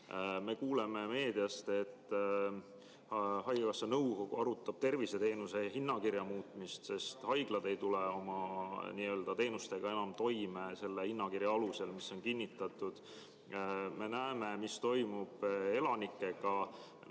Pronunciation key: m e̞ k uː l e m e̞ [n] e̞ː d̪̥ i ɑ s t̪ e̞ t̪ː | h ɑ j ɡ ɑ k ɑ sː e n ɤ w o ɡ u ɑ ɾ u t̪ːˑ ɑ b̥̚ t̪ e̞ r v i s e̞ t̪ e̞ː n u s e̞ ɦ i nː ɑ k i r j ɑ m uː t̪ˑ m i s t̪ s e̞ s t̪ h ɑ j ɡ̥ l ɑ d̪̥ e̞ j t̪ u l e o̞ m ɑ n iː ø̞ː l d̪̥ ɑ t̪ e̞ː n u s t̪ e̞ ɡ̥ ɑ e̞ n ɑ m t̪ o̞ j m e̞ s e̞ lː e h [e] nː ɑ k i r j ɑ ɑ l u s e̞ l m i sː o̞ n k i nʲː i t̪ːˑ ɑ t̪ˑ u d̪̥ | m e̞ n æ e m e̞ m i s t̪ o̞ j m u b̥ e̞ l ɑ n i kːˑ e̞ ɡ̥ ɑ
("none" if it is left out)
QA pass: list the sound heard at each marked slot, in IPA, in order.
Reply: m, i

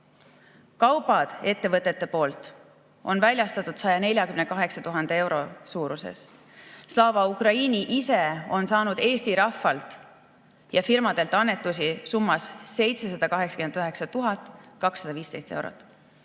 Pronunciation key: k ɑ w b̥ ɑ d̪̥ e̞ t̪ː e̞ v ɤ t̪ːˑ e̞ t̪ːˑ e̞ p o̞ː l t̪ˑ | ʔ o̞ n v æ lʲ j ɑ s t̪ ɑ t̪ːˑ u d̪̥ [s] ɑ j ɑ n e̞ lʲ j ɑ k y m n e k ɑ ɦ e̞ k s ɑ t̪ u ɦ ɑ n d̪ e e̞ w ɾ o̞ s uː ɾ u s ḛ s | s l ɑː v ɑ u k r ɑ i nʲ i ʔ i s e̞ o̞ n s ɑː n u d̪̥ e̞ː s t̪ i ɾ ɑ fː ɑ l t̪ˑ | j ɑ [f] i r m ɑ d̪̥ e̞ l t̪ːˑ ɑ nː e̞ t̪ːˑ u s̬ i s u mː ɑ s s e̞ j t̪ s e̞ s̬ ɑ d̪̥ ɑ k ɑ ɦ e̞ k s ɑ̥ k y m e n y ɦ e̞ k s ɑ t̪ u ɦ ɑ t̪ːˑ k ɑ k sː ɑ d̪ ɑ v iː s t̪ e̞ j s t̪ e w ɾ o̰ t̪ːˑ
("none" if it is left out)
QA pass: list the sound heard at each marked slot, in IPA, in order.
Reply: s, f

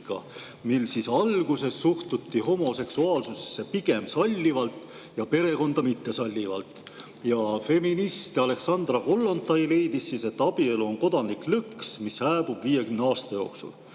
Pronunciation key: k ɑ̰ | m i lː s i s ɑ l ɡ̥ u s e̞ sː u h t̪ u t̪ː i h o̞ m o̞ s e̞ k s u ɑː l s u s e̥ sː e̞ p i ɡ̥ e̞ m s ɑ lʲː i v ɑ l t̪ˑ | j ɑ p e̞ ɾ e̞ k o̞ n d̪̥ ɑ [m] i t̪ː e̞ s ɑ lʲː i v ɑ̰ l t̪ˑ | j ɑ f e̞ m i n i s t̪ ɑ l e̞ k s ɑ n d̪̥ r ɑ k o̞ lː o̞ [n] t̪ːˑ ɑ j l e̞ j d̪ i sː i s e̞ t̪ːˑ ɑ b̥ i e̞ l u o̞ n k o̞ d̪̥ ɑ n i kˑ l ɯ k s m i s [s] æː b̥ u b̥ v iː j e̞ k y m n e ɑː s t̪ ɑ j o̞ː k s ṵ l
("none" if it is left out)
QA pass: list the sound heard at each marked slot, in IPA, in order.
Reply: m, n, h

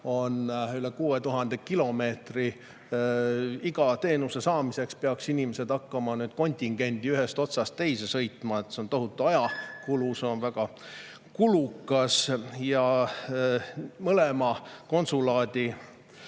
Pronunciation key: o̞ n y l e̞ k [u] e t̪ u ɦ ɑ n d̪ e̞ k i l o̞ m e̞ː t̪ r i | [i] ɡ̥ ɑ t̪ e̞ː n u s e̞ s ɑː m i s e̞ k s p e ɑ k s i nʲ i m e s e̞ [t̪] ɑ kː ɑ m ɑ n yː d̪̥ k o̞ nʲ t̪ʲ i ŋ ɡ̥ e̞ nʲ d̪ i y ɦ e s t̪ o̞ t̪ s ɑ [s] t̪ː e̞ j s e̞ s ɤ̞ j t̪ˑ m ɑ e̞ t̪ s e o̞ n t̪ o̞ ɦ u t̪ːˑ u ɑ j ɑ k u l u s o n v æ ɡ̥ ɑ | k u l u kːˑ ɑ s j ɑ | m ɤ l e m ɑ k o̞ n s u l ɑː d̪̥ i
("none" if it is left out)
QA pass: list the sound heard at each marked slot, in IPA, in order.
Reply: uː, i, d̪, s

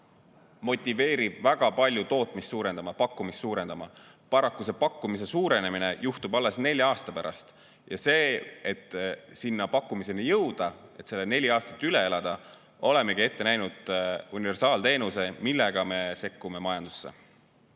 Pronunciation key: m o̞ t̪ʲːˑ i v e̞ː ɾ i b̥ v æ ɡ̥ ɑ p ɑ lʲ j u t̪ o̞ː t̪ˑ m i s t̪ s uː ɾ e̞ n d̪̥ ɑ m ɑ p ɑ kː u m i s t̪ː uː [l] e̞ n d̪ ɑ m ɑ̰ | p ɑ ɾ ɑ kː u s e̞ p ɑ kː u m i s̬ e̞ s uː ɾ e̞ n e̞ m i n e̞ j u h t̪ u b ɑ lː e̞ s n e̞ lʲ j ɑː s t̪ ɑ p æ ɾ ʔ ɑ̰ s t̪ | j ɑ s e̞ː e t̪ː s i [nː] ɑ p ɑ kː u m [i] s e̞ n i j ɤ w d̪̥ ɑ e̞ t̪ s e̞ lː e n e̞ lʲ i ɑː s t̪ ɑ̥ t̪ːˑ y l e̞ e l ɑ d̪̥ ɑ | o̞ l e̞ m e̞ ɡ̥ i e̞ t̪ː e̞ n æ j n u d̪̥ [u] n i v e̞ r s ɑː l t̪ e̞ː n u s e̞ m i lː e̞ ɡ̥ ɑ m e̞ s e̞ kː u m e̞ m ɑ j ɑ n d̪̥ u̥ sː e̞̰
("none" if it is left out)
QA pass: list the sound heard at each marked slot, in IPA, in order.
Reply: ɾ, nː, i, u

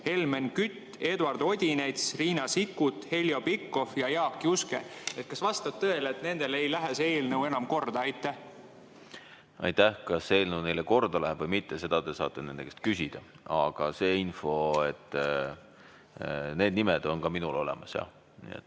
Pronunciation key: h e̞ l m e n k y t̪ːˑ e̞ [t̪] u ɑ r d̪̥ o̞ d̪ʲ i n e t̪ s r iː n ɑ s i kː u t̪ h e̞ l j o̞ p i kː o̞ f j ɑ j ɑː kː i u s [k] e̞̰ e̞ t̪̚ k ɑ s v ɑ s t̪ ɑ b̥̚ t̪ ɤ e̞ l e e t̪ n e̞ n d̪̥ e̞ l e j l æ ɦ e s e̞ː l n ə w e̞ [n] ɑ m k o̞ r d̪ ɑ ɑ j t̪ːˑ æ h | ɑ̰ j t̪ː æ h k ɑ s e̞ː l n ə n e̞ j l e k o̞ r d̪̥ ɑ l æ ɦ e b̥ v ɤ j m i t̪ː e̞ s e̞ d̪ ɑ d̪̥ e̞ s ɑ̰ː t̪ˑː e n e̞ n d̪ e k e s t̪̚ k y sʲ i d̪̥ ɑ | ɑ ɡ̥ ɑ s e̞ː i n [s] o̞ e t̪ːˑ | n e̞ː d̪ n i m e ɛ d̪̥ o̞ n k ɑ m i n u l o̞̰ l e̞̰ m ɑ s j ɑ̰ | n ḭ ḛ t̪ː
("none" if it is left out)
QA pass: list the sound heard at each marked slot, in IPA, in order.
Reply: d̪, k, n, f

